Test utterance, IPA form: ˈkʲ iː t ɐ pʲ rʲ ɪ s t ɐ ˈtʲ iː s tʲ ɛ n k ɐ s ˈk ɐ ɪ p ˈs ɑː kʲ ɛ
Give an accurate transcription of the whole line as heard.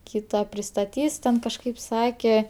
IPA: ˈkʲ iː t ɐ pʲ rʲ ɪ s t ɐ ˈtʲ iː s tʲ ɛ n k ɐ ʃ ˈk ɐ ɪ p ˈs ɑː kʲ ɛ